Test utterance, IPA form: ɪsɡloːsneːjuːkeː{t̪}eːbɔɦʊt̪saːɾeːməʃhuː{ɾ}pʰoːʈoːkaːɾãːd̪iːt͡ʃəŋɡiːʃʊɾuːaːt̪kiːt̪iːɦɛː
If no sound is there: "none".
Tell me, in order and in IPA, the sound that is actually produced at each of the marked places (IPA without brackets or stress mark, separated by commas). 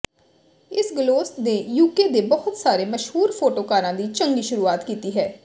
d̪, ɾ